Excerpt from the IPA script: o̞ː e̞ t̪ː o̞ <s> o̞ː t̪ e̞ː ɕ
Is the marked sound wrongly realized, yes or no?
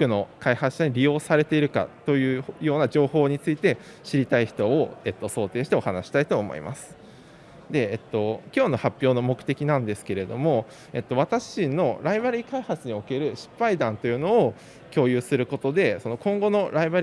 no